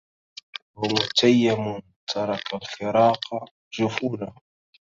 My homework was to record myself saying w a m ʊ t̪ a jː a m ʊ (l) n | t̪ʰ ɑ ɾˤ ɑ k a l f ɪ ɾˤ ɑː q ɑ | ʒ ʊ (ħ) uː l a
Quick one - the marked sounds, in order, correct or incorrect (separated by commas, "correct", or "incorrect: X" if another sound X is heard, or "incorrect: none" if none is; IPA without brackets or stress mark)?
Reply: incorrect: none, incorrect: f